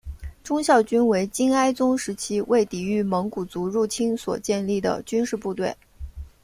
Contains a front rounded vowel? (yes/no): yes